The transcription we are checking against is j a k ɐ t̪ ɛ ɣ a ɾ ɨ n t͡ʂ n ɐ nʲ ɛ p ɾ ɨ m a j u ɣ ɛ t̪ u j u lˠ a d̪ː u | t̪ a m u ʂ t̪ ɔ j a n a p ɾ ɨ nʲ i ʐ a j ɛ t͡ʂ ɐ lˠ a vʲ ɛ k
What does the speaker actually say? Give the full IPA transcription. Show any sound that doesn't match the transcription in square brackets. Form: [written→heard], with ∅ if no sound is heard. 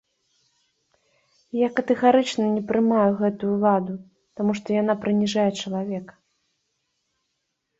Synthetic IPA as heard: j a k ɐ t̪ ɛ ɣ a ɾ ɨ [n→∅] t͡ʂ n ɐ nʲ ɛ p ɾ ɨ m a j u ɣ ɛ t̪ u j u lˠ a [d̪ː→d̪] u | t̪ a m u ʂ t̪ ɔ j a n a p ɾ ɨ nʲ i ʐ a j ɛ t͡ʂ ɐ lˠ a vʲ ɛ k